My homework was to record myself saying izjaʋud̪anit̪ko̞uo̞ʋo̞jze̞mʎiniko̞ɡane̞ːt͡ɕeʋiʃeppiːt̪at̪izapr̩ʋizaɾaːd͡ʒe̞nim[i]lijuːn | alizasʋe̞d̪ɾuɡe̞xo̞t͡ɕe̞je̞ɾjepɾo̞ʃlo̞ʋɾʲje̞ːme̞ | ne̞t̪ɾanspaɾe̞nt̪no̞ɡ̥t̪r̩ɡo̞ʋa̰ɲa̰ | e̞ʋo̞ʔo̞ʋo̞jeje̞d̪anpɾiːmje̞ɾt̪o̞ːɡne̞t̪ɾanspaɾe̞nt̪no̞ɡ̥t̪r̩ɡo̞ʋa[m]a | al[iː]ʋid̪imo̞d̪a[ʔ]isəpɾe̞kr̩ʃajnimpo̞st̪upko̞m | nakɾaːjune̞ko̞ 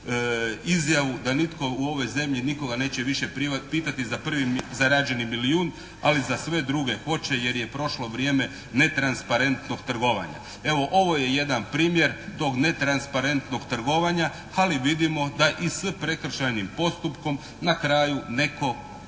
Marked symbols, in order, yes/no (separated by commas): yes, no, no, yes